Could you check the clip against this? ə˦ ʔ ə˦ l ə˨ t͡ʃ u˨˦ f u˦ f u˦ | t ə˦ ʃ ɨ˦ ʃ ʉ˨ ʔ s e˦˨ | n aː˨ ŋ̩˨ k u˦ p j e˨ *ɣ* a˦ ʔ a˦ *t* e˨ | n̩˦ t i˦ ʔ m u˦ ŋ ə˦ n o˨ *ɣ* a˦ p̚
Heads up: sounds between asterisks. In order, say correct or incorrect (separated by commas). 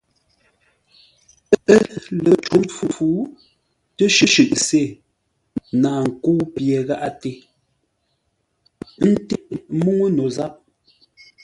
correct, correct, incorrect